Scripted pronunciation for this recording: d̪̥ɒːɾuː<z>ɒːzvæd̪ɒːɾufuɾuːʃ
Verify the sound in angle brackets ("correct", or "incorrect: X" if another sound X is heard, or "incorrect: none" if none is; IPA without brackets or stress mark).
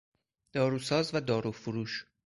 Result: incorrect: s